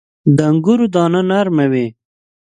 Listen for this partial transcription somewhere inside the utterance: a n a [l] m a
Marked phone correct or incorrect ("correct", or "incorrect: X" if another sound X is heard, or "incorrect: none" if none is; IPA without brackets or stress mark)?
incorrect: ɾ